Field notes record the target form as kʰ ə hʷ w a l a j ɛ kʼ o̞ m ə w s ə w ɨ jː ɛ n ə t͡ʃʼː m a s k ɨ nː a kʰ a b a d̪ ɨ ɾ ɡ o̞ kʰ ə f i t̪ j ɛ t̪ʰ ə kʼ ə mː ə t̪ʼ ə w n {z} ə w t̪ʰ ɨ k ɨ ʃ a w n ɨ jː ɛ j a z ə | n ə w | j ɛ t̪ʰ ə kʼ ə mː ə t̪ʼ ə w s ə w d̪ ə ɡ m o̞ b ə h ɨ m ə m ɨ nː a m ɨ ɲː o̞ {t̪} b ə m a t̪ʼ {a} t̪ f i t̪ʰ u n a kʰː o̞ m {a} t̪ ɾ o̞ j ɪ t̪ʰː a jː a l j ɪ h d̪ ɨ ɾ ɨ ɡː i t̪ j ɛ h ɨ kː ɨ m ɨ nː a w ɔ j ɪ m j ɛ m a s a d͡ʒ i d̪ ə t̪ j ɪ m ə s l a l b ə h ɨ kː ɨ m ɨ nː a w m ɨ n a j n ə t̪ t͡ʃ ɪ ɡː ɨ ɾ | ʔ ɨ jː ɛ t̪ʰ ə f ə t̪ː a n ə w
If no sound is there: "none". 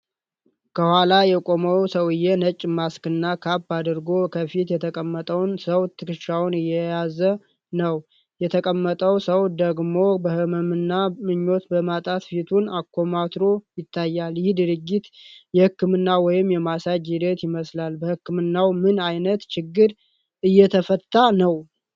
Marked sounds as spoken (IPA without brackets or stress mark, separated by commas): s, t̪, a, a